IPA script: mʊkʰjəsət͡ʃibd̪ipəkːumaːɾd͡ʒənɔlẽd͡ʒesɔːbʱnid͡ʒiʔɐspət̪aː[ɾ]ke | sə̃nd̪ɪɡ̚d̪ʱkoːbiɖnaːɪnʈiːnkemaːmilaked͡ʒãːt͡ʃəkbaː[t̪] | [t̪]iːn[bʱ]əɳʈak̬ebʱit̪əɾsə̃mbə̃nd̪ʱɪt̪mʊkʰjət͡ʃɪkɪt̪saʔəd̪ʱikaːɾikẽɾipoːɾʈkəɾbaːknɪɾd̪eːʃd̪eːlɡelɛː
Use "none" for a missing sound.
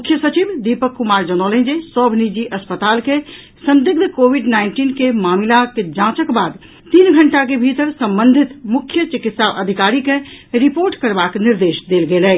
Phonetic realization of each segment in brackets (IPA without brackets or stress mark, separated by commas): l, d̪, t̪, ɡʱ